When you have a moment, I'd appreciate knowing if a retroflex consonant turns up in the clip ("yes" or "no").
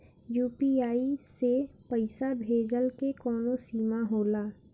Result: no